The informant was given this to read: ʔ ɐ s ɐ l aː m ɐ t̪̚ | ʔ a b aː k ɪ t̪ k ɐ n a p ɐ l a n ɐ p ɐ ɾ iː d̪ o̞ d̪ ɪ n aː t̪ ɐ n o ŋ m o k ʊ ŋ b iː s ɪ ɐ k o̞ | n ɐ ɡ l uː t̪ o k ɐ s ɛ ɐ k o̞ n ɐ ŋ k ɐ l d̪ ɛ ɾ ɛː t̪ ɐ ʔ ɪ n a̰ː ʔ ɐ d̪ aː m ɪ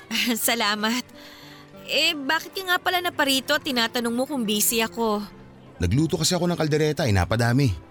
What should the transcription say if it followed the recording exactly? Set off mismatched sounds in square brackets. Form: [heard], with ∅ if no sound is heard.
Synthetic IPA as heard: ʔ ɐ s ɐ l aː m ɐ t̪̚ | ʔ [ɛ] b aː k ɪ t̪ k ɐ [ŋ] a p ɐ l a n ɐ p ɐ ɾ iː [t̪] o̞ [t̪] ɪ n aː t̪ ɐ n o ŋ m o k ʊ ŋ b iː s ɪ ɐ k o̞ | n ɐ ɡ l uː t̪ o k ɐ s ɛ ɐ k o̞ n ɐ ŋ k ɐ l d̪ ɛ ɾ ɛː t̪ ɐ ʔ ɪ n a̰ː [p] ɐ d̪ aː m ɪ